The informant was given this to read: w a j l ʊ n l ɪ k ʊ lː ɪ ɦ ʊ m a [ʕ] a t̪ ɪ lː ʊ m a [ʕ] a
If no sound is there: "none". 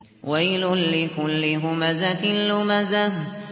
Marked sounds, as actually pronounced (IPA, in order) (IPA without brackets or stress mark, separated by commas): z, z